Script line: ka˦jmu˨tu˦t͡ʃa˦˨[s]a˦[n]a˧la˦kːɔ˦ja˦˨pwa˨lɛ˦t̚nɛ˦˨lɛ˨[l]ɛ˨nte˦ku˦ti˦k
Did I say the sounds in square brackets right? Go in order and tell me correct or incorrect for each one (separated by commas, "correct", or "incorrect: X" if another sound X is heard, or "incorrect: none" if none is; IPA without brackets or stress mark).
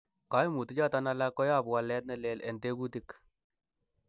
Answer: incorrect: t, correct, correct